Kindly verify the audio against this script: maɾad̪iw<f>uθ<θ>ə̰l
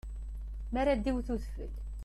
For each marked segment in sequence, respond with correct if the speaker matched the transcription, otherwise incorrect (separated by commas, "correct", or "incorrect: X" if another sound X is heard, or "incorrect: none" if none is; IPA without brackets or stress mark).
incorrect: θ, incorrect: f